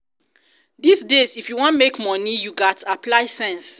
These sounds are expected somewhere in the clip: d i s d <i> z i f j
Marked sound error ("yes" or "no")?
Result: yes